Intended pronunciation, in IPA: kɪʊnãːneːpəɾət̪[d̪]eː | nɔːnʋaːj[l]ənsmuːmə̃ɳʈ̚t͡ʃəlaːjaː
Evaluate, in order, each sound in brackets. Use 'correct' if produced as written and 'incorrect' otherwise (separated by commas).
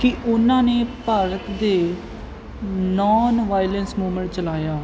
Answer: correct, correct